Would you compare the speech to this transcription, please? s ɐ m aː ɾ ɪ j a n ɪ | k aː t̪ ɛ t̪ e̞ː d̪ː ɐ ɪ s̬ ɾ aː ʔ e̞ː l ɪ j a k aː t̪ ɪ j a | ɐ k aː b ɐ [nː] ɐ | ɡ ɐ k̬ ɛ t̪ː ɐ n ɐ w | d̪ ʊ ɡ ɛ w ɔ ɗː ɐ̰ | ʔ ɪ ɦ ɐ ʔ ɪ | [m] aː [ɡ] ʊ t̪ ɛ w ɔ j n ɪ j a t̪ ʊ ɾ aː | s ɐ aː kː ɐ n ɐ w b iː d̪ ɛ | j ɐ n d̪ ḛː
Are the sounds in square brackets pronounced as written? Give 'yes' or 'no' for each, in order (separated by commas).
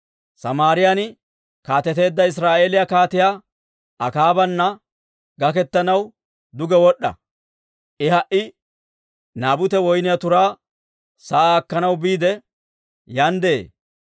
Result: yes, no, no